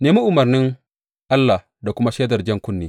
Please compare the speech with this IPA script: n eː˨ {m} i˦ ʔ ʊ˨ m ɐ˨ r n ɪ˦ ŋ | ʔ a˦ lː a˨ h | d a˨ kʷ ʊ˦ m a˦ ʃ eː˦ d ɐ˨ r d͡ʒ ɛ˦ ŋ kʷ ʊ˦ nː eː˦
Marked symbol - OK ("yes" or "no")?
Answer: yes